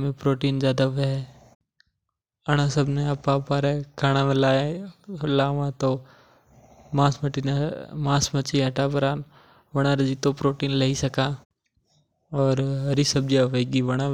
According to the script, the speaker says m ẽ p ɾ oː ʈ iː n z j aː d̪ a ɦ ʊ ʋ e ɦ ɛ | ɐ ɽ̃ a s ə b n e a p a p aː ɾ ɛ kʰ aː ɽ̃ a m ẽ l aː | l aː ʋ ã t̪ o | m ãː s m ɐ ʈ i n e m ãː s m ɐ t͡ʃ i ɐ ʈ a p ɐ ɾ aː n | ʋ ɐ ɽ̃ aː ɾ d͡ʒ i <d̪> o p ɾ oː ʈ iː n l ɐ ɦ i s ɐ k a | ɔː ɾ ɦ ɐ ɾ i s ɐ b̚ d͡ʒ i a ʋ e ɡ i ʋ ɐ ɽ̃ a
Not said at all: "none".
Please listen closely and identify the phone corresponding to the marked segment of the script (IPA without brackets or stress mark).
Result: t̪